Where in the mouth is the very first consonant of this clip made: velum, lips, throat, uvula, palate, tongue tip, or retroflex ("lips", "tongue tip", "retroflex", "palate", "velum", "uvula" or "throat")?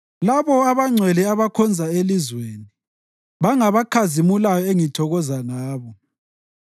tongue tip